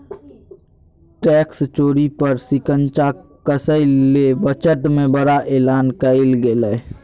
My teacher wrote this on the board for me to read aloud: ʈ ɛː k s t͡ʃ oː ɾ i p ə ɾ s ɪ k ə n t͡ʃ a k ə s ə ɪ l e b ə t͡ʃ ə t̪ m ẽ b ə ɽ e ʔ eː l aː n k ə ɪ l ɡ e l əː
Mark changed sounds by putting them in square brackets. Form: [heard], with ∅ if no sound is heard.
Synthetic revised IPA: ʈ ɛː k s t͡ʃ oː ɾ i p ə ɾ s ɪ k ə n t͡ʃ a k ə s ə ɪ l e b ə t͡ʃ ə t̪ m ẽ b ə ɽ [a] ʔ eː l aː n k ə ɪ l ɡ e l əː

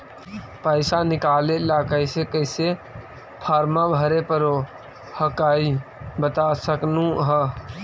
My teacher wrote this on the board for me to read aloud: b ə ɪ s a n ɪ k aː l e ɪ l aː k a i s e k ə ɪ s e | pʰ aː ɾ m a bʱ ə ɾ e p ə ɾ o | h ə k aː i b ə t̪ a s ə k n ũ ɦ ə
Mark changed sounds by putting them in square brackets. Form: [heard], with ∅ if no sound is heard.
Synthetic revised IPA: [p] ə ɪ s a n ɪ k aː l e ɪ l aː k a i s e k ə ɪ s e | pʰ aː ɾ m a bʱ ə ɾ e p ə ɾ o | h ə k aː i b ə t̪ a s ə k n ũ ɦ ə

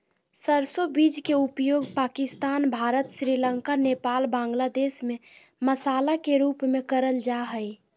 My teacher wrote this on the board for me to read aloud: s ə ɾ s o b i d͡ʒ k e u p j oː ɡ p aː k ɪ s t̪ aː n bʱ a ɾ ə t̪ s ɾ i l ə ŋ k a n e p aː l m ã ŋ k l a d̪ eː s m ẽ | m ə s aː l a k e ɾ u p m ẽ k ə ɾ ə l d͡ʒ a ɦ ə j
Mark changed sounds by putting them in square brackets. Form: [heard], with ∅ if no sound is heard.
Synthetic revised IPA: s ə ɾ s o b i d͡ʒ k e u p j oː ɡ p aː k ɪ s t̪ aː n bʱ a ɾ ə t̪ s ɾ i l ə ŋ k a n e p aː l [b] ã ŋ [ɡ] l a d̪ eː s m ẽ | m ə s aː l a k e ɾ u p m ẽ k ə ɾ ə l d͡ʒ a ɦ ə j

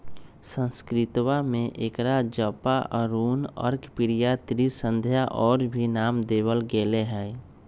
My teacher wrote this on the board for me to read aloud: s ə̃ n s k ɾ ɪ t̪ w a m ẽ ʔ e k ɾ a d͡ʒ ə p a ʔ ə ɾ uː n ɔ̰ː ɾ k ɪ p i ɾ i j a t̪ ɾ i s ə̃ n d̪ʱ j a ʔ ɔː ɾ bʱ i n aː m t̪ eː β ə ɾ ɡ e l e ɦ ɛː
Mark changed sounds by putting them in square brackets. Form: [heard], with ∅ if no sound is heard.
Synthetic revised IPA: s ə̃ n s k ɾ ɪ t̪ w a m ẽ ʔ e k ɾ a d͡ʒ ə p a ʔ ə ɾ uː n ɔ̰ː ɾ k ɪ p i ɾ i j a t̪ ɾ i s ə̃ n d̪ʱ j a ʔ ɔː ɾ bʱ i n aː m [d̪] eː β ə [l] ɡ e l e ɦ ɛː

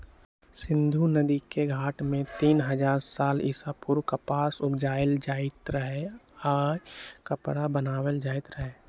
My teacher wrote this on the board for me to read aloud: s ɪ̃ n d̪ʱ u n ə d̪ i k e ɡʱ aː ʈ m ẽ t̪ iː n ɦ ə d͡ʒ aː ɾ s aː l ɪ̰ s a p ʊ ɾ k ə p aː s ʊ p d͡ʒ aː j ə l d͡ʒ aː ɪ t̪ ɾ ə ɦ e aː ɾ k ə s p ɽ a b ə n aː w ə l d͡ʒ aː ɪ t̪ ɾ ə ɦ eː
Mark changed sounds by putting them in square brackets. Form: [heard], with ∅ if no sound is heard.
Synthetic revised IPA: s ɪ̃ n d̪ʱ u n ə d̪ i k e ɡʱ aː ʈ m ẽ t̪ iː n ɦ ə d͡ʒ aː ɾ s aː l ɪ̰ s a p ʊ ɾ k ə p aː s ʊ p d͡ʒ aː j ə l d͡ʒ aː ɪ t̪ ɾ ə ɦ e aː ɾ k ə [∅] p ɽ a b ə n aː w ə l d͡ʒ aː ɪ t̪ ɾ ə ɦ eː

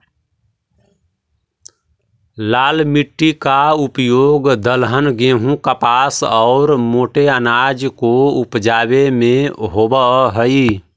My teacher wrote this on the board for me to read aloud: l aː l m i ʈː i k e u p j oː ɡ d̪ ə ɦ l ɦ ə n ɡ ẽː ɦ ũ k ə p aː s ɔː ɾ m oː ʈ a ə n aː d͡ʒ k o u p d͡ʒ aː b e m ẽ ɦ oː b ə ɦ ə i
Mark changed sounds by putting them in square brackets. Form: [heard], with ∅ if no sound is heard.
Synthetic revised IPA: l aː l m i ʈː i k [a] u p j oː ɡ d̪ ə [∅] l ɦ ə n ɡ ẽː ɦ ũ k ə p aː s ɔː ɾ m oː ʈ [e] ə n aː d͡ʒ k o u p d͡ʒ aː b e m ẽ ɦ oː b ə ɦ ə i

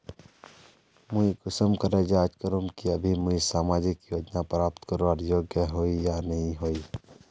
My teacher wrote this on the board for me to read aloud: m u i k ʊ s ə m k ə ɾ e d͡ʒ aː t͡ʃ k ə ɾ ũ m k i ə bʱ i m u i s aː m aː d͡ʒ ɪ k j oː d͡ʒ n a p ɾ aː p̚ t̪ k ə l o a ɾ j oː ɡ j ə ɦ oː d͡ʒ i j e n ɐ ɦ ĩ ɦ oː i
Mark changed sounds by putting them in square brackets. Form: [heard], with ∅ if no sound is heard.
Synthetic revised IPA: m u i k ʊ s ə m k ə ɾ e d͡ʒ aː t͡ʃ k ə ɾ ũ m k i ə bʱ i m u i s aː m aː d͡ʒ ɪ k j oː d͡ʒ n a p ɾ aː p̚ t̪ k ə [ɾ] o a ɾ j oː ɡ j ə ɦ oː [∅] i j [a] n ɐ ɦ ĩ ɦ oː i

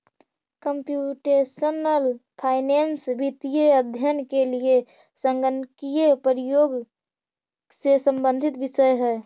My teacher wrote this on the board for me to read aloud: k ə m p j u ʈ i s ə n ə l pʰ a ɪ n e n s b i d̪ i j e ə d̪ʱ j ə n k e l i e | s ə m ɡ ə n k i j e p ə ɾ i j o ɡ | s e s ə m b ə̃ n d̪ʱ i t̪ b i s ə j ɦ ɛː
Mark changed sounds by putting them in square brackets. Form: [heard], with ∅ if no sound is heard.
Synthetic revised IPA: k ə m p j u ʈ [e] s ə n ə l pʰ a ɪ n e n s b i [t̪] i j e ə d̪ʱ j ə n k e l i e | s ə [ŋ] ɡ ə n k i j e p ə ɾ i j o ɡ | s e s ə m b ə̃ n d̪ʱ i t̪ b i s ə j ɦ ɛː

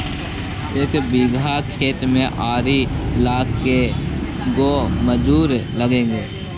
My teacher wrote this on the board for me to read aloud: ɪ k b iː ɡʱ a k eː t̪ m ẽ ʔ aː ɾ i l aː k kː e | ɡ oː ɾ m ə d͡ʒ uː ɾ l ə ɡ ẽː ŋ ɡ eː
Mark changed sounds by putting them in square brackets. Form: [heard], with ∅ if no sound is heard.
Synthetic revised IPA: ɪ k b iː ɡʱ a [kʰ] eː t̪ m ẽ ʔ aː ɾ i l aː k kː e | ɡ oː [∅] m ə d͡ʒ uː ɾ l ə ɡ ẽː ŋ ɡ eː

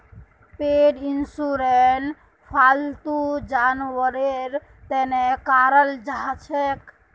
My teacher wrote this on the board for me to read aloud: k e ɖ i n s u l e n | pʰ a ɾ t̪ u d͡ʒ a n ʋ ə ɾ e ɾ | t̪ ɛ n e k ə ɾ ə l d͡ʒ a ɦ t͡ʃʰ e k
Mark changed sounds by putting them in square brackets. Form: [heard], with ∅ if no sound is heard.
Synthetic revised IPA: [p] e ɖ i n s u [ɾ] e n | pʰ a [l] t̪ u d͡ʒ a n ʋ ə ɾ e ɾ | t̪ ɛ n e k [a] ɾ ə l d͡ʒ a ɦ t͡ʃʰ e k

